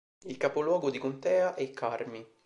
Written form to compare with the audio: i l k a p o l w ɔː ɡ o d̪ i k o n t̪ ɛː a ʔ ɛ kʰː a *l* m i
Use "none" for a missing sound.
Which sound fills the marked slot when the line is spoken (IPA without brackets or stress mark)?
r